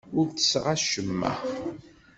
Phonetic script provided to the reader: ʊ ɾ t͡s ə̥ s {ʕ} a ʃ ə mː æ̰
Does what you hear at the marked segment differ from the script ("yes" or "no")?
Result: yes